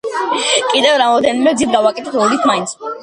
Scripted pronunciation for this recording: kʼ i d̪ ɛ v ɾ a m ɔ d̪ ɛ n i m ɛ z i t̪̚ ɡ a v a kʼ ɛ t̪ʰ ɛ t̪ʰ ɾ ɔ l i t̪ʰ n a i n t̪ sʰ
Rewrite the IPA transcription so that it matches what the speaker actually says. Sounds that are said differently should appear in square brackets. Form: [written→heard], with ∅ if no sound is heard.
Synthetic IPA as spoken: kʼ i d̪ ɛ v ɾ a m ɔ d̪ ɛ n i m ɛ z i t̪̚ ɡ a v a kʼ ɛ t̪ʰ ɛ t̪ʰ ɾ ɔ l i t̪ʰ [n→m] a i n t̪ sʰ